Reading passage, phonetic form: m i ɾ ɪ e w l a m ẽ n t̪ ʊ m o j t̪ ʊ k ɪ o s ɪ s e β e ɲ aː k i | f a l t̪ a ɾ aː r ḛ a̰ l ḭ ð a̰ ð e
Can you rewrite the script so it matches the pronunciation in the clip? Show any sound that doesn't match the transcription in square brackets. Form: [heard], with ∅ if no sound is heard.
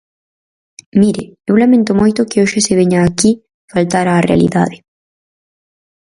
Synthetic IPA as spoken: m i ɾ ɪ e w l a m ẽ n t̪ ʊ m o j t̪ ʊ k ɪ o [ʃ] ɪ s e β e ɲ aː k i | f a l t̪ a ɾ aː r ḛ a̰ l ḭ ð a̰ ð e